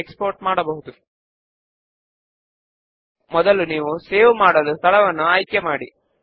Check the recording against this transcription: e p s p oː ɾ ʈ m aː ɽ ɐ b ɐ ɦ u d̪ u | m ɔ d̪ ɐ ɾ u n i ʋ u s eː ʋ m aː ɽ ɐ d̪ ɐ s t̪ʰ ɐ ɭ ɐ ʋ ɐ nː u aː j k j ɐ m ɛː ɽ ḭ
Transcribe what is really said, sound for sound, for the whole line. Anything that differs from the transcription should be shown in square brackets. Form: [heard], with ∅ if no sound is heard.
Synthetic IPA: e [k] s p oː ɾ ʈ m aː ɽ ɐ b ɐ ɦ u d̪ u | m ɔ d̪ ɐ [l] u n [iː] ʋ u s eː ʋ m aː ɽ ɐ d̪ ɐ s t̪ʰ ɐ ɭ ɐ ʋ ɐ nː u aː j k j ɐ m [aː] ɽ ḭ